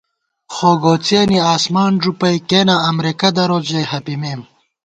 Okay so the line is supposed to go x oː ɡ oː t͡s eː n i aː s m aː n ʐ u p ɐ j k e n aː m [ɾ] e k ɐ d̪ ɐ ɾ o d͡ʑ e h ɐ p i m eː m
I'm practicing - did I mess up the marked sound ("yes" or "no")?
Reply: no